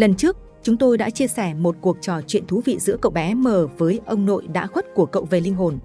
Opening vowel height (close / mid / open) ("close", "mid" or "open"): mid